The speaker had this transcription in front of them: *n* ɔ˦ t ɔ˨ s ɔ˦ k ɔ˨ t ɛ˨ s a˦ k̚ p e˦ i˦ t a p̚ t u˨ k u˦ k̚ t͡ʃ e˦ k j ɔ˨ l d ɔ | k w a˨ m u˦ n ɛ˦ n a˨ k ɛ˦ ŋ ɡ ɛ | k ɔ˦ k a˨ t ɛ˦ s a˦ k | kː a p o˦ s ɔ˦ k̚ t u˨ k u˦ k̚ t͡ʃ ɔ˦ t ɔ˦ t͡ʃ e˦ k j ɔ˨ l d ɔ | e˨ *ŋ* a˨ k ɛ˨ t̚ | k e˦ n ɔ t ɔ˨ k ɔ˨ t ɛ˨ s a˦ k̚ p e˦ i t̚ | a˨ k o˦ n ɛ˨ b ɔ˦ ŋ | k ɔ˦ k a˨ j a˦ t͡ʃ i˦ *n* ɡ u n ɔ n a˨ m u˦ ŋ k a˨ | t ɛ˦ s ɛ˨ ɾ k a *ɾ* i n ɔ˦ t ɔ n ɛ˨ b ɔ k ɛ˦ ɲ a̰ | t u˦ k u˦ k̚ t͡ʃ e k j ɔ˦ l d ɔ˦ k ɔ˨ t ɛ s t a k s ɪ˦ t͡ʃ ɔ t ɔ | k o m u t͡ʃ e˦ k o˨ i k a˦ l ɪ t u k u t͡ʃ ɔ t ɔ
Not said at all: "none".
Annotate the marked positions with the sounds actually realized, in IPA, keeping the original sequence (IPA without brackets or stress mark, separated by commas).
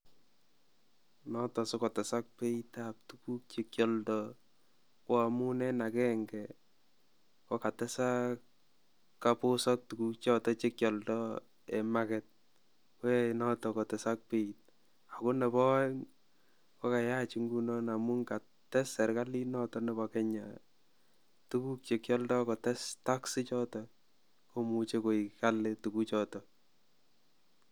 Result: n, m, ŋ, l